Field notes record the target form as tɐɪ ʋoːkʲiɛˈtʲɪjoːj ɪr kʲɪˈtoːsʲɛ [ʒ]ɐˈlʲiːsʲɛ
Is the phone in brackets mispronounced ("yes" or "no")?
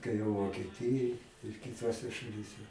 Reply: yes